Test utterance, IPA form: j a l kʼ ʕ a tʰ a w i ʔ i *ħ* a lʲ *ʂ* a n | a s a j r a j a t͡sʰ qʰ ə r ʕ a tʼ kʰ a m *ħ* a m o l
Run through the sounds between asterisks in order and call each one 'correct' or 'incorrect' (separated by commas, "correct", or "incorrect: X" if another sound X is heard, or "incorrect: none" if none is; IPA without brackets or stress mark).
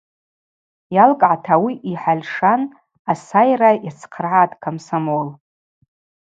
correct, correct, incorrect: s